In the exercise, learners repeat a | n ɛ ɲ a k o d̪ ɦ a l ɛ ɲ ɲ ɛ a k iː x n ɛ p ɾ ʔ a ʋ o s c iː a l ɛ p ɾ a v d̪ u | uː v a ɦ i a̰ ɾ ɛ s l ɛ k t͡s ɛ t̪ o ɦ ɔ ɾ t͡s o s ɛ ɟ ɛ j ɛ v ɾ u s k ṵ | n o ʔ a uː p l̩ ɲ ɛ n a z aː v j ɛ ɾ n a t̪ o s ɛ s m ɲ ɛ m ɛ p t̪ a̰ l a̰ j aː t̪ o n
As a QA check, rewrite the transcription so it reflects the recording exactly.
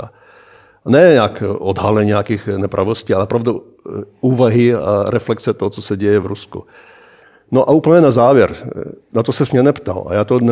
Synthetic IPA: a | n ɛ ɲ a k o d̪ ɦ a l ɛ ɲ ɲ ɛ a k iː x n ɛ p ɾ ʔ a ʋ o s c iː a l ɛ p ɾ a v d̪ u | uː v a ɦ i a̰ ɾ ɛ f l ɛ k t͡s ɛ t̪ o ɦ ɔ t͡s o s ɛ ɟ ɛ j ɛ v ɾ u s k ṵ | n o ʔ a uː p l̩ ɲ ɛ n a z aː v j ɛ ɾ n a t̪ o s ɛ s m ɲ ɛ n ɛ p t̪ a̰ l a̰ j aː t̪ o n